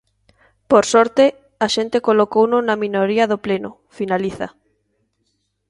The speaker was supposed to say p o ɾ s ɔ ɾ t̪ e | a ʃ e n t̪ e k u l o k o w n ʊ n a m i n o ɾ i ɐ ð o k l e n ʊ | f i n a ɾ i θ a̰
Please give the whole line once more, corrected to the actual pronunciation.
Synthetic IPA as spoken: p o ɾ s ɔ ɾ t̪ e | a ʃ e n t̪ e k o l o k o w n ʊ n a m i n o ɾ i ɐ ð o p l e n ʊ | f i n a l i θ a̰